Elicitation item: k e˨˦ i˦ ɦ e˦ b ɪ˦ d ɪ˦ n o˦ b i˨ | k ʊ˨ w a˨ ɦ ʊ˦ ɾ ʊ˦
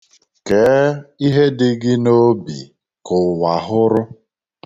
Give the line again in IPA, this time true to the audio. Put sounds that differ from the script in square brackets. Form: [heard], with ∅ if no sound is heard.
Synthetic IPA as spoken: k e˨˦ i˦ ɦ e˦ [d] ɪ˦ [ɡ] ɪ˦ n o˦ b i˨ | k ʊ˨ w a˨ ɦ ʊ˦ ɾ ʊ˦